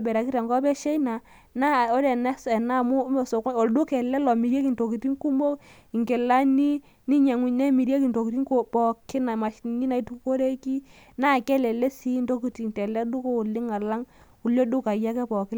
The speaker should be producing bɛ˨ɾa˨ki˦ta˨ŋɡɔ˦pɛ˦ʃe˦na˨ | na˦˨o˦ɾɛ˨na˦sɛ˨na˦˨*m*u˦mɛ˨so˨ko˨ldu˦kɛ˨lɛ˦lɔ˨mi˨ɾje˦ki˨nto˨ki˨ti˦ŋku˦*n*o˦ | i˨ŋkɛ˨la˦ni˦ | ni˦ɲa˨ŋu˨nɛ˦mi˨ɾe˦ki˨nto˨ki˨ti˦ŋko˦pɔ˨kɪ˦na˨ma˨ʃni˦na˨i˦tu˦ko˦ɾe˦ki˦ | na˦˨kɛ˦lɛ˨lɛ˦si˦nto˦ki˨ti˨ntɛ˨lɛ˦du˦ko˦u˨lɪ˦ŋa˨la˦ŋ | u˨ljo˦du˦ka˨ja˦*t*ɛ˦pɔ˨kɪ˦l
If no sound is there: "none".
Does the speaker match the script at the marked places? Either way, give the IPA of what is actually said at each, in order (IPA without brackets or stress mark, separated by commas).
m, m, k